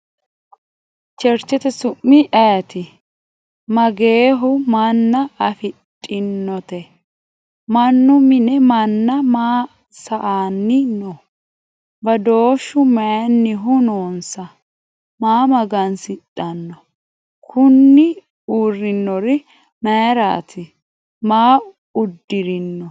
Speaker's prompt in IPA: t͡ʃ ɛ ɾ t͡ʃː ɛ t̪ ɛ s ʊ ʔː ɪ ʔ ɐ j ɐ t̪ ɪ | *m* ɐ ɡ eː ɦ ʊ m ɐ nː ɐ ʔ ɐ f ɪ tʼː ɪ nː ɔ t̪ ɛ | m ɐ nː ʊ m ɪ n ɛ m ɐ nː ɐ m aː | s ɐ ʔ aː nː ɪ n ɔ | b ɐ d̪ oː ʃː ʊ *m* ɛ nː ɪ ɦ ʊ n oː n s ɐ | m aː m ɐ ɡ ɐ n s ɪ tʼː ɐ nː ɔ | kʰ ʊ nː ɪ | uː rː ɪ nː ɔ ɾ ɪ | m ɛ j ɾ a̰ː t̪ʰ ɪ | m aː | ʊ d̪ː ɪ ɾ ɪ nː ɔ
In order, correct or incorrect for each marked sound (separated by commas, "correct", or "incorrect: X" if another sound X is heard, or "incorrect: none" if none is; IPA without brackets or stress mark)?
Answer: correct, correct